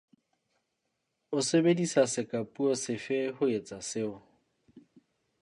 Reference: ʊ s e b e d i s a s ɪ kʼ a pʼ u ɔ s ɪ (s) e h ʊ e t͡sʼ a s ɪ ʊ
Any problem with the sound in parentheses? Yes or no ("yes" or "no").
yes